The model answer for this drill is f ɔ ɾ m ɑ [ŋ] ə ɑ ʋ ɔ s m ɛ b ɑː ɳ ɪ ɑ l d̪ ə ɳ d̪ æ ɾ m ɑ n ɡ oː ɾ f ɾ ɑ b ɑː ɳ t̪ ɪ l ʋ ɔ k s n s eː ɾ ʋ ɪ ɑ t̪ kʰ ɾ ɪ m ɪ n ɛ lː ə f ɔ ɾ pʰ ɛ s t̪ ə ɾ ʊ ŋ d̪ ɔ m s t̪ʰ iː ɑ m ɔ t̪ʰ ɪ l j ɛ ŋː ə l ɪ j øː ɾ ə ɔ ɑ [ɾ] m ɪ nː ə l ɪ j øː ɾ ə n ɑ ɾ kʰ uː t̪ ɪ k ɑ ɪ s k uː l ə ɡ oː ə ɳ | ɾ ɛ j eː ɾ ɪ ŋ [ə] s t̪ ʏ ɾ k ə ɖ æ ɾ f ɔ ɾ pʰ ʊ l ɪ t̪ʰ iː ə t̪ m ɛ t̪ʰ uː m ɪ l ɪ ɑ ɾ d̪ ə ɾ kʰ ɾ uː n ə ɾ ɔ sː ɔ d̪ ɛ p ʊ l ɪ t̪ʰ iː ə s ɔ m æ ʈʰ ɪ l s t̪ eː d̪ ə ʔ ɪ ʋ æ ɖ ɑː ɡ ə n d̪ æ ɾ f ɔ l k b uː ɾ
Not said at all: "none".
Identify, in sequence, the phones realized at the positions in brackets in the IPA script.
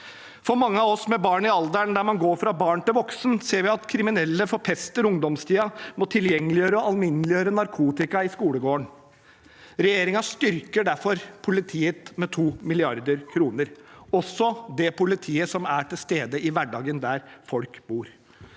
ŋː, l, ɑ

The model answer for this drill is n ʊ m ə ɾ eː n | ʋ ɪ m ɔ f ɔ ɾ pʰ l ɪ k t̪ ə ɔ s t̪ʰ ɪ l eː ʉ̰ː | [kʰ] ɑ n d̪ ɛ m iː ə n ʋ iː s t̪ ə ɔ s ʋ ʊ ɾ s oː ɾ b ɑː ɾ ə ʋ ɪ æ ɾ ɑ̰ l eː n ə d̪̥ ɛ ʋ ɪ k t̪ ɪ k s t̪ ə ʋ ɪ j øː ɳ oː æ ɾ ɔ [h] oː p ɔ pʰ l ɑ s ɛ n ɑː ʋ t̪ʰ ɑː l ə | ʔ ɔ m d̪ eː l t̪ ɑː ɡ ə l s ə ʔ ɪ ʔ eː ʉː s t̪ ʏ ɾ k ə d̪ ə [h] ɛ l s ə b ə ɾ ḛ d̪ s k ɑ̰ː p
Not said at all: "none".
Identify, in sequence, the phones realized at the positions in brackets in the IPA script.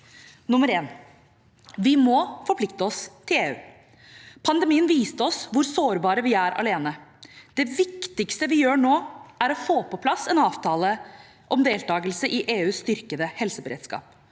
pʰ, f, h

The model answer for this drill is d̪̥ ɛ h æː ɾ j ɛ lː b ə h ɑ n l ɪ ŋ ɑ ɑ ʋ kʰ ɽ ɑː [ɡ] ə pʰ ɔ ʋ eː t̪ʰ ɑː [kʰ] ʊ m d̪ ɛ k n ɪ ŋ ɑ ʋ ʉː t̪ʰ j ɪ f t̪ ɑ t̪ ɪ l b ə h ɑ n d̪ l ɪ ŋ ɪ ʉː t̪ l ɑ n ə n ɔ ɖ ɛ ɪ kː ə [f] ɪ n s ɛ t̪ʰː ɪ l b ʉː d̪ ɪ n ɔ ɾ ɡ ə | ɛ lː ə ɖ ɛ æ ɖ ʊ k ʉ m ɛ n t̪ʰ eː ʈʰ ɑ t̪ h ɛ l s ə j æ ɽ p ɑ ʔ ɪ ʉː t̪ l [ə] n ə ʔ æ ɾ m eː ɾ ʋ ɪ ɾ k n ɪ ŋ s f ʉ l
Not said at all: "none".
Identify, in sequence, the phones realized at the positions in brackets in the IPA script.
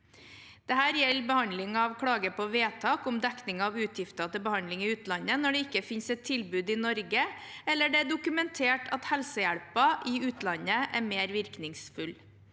ɡ, k, f, ɑ

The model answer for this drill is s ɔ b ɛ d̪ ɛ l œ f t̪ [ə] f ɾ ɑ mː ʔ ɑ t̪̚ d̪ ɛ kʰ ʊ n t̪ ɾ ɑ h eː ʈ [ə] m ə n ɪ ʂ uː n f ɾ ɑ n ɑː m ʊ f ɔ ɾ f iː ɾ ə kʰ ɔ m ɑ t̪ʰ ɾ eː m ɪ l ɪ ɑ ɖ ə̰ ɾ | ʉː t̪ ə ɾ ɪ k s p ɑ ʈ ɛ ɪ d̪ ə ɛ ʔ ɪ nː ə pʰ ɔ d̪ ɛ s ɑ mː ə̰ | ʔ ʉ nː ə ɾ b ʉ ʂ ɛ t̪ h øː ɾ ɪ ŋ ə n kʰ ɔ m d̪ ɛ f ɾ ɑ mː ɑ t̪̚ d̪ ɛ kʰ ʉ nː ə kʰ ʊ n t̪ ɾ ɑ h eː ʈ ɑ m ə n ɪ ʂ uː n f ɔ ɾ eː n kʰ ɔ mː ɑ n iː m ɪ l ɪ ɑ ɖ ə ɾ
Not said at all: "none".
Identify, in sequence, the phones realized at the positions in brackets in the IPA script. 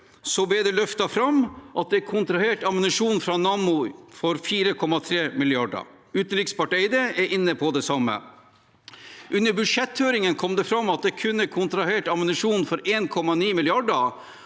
ɑ, ɑ

